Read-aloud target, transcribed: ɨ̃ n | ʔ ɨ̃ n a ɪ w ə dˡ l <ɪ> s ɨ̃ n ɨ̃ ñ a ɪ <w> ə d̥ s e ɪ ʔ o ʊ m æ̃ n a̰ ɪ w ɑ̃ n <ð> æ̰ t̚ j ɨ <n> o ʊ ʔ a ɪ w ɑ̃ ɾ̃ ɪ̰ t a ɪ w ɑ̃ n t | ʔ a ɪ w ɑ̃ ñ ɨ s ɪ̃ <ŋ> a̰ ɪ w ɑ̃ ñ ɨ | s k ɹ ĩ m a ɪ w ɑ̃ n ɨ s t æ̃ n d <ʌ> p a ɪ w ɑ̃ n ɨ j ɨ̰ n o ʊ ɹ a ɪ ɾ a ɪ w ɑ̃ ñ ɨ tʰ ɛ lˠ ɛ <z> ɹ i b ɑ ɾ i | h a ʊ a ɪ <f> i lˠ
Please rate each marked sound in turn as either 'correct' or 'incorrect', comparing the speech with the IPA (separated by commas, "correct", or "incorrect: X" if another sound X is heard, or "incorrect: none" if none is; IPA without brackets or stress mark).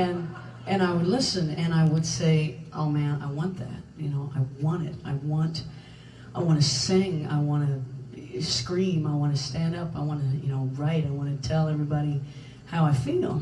correct, correct, correct, correct, correct, correct, incorrect: v, correct